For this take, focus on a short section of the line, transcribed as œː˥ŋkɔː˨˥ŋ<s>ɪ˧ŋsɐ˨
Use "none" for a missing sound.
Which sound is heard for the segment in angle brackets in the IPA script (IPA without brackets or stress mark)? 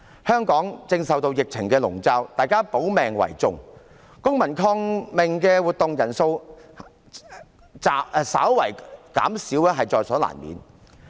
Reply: t͡s